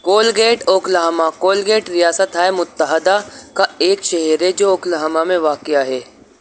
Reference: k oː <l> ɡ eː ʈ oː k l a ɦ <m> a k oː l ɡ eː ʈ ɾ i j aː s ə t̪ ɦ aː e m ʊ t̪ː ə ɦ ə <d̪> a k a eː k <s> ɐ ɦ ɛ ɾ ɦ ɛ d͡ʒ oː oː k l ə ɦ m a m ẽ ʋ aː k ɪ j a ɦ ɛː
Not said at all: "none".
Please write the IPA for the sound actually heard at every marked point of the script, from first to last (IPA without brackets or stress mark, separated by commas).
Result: l, m, d̪, ʃ